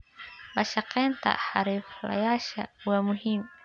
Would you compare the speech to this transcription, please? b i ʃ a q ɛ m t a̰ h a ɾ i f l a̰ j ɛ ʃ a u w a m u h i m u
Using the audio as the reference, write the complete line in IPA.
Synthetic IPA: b a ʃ a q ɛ n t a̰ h a ɾ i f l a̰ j a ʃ a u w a m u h i m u